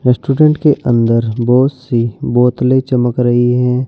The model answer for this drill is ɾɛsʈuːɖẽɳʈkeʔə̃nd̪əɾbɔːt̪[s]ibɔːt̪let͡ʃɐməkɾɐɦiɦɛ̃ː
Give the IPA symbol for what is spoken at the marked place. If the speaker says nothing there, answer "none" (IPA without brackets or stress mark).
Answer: s